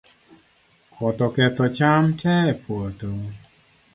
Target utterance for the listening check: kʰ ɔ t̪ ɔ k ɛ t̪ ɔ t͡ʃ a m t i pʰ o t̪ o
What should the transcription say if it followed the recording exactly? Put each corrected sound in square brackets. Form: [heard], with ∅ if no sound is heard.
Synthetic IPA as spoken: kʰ ɔ t̪ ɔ k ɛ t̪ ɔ t͡ʃ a m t [ɛ] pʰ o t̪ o